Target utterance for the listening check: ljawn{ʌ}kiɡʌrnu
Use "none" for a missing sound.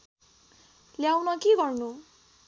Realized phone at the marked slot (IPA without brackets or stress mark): ʌ